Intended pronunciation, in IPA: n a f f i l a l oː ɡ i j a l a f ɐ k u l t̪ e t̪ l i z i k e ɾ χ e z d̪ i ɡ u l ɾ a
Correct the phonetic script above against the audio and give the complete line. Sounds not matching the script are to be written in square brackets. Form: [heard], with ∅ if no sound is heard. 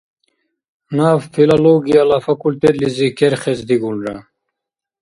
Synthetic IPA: n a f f i l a l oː ɡ i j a l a f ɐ k u l t̪ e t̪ l i z i k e ɾ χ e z d̪ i ɡ u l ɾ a